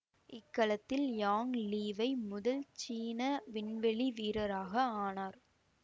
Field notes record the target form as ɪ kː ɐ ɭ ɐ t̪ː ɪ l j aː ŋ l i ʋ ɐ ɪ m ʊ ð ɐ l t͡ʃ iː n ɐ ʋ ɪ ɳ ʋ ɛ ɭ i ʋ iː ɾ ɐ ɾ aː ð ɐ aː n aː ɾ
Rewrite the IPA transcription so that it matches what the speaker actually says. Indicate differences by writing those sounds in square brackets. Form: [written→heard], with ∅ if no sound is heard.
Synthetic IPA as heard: ɪ kː ɐ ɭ ɐ t̪ː ɪ l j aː ŋ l [i→iː] ʋ ɐ ɪ m ʊ ð ɐ l t͡ʃ iː n ɐ ʋ ɪ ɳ ʋ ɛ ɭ i ʋ iː ɾ ɐ ɾ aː [ð→ɣ] ɐ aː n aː ɾ